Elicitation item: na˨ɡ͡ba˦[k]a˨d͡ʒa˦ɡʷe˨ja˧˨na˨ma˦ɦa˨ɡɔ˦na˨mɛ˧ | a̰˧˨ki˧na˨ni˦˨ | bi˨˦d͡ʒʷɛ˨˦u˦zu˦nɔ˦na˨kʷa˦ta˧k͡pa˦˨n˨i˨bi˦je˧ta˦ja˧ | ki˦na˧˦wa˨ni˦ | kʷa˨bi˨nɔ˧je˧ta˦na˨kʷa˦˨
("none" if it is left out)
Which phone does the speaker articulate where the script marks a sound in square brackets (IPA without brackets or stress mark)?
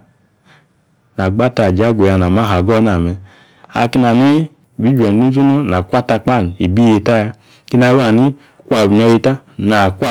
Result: t